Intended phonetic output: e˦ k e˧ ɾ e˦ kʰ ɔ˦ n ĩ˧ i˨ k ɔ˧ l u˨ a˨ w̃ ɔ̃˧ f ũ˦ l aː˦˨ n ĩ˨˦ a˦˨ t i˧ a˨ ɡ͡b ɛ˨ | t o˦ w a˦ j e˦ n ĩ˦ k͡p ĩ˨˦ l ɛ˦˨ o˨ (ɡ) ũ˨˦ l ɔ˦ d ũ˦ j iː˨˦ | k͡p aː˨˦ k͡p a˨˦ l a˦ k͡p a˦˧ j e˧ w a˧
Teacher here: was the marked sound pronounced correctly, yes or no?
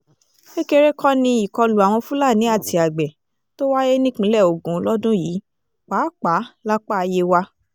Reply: yes